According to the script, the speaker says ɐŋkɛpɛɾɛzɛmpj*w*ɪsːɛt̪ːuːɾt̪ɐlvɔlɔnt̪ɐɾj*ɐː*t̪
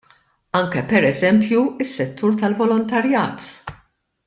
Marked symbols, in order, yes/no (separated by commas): no, yes